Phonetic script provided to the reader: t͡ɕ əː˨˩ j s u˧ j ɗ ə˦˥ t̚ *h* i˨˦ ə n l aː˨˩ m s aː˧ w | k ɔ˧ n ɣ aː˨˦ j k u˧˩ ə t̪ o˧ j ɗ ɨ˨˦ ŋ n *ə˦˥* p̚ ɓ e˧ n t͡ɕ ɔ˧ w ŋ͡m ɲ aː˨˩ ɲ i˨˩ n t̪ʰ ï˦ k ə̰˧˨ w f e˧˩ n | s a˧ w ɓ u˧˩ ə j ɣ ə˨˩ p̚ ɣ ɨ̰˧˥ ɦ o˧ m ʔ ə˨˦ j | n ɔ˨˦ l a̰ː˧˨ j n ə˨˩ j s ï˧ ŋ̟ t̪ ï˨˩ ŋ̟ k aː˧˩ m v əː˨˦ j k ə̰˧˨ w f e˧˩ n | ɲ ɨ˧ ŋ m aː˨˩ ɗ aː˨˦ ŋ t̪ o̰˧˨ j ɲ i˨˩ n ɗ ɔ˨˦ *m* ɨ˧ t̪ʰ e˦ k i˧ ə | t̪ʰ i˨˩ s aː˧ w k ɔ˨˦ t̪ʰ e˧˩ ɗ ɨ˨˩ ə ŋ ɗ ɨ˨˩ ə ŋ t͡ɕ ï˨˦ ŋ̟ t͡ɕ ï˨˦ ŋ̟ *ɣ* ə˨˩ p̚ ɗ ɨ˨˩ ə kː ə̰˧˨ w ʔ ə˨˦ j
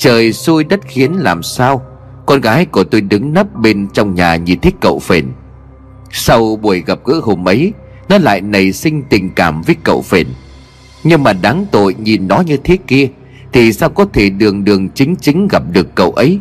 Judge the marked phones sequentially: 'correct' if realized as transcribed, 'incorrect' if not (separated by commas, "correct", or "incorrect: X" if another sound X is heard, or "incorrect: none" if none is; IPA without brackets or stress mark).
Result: incorrect: x, correct, incorrect: ɲ, correct